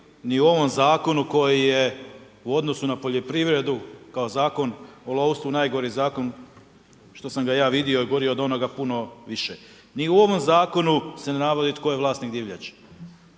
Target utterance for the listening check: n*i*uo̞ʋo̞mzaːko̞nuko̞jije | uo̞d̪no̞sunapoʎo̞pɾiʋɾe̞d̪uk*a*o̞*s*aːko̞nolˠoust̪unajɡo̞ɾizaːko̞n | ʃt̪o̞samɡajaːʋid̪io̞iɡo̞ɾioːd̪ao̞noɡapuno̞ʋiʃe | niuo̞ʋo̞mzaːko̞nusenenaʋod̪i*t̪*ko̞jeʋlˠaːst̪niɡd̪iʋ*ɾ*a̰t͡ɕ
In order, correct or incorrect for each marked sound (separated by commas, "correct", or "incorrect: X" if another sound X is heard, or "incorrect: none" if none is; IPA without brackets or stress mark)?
correct, correct, incorrect: z, correct, incorrect: ʎ